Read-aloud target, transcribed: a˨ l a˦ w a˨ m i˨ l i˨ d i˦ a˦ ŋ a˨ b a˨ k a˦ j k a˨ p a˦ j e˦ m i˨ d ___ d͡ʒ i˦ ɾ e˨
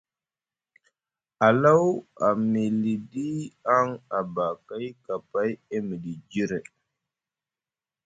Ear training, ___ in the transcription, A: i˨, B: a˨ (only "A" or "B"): A